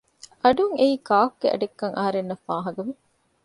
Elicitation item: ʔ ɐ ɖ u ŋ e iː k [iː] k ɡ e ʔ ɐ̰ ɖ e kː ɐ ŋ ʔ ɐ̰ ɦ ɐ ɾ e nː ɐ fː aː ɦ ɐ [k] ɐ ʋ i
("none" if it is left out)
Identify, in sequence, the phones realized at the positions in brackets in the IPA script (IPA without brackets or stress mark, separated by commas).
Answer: aː, ɡ